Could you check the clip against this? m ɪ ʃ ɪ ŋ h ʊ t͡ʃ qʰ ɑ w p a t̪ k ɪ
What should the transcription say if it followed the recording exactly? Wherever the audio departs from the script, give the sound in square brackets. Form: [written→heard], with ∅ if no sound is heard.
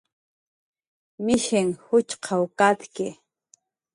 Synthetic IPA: m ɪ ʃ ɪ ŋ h ʊ t͡ʃ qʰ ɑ w [p→k] a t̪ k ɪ